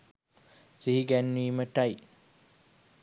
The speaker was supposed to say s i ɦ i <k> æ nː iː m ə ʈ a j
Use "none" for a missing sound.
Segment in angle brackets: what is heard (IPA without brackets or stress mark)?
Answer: ɡ